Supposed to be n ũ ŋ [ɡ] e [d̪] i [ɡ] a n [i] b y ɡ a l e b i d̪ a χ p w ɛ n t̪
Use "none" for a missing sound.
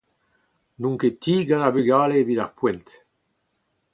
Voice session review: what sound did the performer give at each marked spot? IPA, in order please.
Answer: k, t̪, ɡ, a

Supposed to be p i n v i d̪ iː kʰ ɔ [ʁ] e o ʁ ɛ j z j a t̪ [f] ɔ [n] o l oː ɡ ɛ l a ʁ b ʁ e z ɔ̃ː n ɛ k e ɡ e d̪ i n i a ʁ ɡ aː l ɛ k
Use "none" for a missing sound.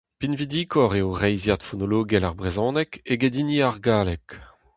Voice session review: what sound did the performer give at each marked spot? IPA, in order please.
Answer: ʁ, f, n

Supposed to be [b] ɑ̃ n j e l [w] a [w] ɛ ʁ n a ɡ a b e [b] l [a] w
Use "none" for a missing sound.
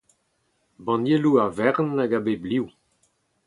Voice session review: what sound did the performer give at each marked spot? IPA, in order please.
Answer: b, u, v, b, i

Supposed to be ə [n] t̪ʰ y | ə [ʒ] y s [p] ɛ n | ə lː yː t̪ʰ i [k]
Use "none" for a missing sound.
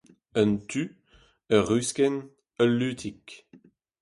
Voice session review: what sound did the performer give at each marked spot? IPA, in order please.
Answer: n, ʁ, k, k

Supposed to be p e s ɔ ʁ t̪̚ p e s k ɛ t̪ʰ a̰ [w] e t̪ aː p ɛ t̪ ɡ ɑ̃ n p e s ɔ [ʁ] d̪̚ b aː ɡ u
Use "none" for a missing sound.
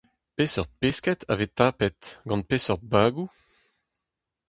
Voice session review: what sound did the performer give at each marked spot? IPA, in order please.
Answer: v, ʁ

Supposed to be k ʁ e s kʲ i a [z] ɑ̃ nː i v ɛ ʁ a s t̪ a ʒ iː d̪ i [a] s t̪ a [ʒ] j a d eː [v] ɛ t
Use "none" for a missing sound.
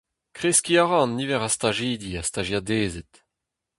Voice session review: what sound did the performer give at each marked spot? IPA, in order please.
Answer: ʁ, a, ʒ, z

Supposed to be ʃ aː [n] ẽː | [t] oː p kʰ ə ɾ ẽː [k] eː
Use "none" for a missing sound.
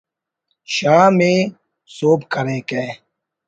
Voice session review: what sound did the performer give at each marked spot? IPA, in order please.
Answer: m, s, k

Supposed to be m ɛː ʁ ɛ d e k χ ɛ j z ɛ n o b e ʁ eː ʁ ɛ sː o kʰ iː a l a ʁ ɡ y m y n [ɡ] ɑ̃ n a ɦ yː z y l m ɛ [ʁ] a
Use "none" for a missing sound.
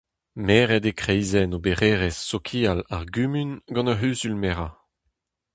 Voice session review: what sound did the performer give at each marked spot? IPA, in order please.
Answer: ɡ, ʁ

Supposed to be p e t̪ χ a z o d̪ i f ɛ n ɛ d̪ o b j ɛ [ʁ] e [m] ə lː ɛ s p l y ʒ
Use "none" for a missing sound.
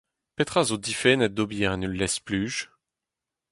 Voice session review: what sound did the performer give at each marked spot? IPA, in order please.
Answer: ʁ, n

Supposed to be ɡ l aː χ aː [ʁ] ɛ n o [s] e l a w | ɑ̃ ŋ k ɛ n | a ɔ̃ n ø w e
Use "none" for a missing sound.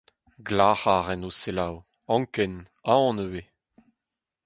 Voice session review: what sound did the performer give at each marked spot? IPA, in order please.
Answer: ʁ, s

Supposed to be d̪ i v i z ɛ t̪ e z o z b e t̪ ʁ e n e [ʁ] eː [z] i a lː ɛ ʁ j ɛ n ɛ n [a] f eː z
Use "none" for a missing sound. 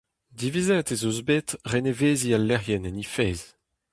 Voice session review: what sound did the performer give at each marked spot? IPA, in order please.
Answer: v, z, i

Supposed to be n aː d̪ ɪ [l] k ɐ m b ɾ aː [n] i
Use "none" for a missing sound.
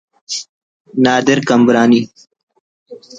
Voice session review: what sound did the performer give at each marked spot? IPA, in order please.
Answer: ɾ, n

